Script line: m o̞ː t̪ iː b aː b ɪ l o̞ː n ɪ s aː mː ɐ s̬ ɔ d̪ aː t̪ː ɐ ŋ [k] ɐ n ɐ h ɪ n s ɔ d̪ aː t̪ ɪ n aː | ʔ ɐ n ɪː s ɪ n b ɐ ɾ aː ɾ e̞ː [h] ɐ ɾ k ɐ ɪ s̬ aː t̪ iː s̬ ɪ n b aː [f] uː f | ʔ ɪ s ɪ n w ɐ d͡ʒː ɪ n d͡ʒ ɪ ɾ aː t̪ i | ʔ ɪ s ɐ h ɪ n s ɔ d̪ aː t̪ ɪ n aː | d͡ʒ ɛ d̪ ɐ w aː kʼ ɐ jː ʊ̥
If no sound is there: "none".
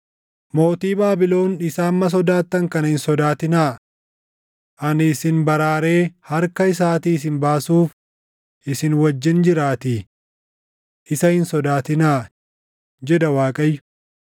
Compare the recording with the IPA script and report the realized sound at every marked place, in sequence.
k, h, s

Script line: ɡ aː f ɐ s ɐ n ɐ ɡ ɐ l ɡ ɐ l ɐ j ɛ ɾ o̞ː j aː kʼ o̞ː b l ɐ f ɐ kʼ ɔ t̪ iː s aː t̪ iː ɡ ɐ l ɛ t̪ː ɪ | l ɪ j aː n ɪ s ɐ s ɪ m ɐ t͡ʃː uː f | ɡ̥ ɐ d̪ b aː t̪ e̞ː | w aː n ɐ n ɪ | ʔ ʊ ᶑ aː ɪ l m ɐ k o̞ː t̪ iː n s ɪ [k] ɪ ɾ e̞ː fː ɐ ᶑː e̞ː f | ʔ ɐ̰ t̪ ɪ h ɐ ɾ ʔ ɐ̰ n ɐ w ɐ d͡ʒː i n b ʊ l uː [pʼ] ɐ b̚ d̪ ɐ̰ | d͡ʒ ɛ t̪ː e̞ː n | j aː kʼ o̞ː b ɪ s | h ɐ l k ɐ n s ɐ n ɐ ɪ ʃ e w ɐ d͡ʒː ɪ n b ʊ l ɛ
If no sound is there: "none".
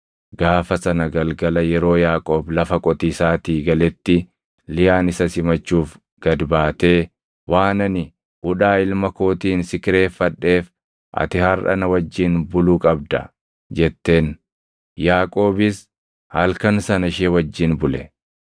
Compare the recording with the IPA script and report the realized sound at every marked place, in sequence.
k, kʼ

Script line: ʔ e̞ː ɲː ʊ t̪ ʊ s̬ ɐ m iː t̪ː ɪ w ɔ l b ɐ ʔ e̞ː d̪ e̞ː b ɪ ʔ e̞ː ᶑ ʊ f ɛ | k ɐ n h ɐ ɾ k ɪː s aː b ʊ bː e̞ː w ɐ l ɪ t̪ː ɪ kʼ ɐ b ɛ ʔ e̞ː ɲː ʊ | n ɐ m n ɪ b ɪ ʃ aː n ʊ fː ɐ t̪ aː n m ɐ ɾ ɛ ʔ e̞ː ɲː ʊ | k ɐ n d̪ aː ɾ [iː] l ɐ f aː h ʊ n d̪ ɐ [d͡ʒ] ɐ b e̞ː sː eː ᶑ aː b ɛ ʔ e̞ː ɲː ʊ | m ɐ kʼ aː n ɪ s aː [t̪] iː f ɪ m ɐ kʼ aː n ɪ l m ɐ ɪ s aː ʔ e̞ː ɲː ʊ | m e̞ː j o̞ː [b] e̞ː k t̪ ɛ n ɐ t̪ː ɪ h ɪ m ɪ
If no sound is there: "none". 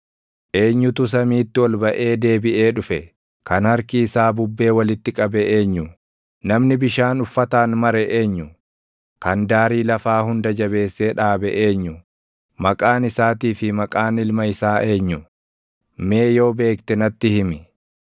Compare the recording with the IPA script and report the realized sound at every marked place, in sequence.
iː, d͡ʒ, t̪, b

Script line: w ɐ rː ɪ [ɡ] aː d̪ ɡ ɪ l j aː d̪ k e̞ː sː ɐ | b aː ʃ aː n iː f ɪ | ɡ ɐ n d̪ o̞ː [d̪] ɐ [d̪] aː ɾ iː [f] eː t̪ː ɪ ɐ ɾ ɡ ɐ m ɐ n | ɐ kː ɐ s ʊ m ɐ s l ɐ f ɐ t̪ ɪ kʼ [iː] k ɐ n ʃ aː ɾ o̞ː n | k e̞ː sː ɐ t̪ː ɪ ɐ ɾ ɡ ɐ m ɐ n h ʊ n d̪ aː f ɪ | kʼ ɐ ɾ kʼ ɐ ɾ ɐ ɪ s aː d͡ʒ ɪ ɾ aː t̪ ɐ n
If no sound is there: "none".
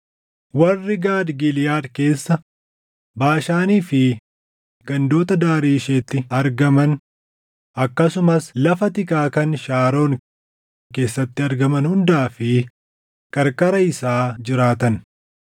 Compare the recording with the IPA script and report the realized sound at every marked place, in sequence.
ɡ, t̪, d̪, ʃ, aː

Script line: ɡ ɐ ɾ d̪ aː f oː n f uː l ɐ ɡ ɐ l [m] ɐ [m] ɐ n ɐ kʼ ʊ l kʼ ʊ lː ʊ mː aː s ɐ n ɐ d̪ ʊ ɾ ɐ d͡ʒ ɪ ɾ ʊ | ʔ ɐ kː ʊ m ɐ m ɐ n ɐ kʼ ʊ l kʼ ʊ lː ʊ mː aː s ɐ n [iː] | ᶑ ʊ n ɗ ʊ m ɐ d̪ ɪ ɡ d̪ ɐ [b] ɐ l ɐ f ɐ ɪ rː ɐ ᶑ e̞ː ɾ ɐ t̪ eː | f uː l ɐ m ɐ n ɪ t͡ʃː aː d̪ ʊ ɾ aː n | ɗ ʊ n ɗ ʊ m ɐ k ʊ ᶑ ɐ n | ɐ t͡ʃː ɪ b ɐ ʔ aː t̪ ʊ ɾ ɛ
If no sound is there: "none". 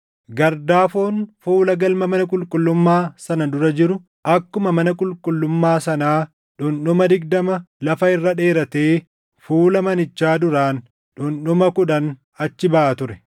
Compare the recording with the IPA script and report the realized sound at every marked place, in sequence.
m, m, aː, m

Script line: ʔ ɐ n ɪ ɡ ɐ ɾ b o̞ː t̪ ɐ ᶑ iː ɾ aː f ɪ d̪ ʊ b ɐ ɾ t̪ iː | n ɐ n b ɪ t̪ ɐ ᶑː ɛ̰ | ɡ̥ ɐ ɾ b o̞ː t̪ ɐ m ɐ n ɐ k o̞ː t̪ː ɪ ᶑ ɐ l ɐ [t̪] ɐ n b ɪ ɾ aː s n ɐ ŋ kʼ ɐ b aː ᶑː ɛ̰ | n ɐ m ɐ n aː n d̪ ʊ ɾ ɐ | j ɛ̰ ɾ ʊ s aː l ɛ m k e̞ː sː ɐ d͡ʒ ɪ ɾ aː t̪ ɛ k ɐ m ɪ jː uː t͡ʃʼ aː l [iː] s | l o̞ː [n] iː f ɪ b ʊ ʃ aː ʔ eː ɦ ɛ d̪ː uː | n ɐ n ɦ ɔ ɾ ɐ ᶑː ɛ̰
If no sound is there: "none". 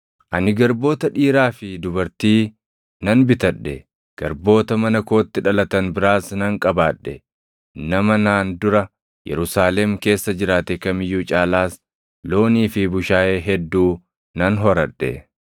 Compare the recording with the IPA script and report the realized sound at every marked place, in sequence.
t̪, aː, n

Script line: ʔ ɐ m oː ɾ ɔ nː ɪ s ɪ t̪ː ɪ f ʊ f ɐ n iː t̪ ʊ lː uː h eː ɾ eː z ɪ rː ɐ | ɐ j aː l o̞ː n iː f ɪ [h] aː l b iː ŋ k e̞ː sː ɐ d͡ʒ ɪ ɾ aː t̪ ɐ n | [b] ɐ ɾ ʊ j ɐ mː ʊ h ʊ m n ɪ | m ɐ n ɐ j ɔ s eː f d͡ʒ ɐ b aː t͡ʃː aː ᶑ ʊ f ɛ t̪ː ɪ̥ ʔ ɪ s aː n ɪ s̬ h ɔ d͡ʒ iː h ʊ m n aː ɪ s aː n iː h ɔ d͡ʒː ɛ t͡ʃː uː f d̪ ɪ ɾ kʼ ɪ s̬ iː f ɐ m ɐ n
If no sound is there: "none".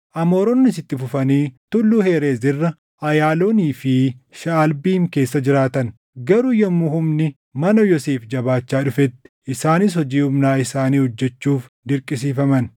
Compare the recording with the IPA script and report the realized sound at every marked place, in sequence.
ʃ, ɡ

